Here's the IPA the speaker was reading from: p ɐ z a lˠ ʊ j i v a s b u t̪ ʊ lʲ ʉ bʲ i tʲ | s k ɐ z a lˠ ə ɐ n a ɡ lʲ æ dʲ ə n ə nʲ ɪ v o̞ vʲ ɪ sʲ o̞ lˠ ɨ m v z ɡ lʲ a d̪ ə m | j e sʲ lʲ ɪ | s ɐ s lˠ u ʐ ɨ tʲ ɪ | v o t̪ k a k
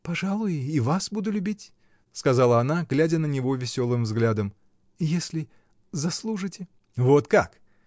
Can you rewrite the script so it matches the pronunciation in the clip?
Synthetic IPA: p ɐ ʐ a lˠ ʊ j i v a s b u d̪ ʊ lʲ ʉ bʲ i tʲ | s k ɐ z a lˠ ə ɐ n a ɡ lʲ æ dʲ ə n ə nʲ ɪ v o̞ vʲ ɪ sʲ o̞ lˠ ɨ m v z ɡ lʲ a d̪ ə m | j e sʲ lʲ ɪ | z ɐ s lˠ u ʐ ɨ tʲ ɪ | v o t̪ k a k